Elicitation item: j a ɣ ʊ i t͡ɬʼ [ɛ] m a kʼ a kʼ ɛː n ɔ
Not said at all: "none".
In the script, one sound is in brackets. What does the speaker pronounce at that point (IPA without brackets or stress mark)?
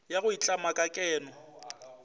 a